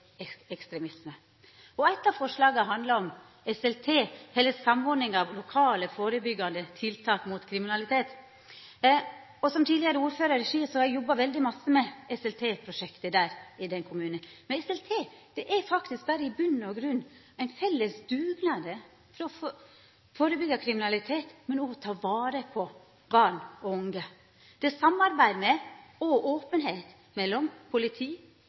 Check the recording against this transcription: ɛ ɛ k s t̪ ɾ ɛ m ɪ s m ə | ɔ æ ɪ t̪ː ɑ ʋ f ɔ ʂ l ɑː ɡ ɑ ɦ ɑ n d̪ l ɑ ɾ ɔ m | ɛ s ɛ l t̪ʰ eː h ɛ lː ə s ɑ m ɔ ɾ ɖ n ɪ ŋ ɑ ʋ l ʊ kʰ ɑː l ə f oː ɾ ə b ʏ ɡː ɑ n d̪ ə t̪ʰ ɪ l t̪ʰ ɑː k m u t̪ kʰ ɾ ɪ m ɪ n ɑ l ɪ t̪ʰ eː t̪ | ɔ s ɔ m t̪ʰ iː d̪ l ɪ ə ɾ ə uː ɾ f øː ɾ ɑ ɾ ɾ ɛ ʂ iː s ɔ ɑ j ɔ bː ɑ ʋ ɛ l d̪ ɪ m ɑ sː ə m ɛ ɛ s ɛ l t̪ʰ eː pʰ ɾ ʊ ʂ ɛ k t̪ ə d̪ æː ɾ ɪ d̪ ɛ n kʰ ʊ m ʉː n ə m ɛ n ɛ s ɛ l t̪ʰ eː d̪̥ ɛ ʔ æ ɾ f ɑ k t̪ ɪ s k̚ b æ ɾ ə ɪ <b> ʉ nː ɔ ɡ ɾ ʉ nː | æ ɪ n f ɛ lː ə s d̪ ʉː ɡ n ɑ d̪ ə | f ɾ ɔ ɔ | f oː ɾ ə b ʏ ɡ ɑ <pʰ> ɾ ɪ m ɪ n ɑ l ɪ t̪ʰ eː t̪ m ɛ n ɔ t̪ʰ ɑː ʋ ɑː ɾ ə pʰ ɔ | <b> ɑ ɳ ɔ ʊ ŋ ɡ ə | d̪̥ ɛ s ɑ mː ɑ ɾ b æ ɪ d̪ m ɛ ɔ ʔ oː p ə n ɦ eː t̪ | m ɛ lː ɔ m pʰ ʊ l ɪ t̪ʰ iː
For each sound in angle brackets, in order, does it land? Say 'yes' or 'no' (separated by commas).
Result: yes, no, yes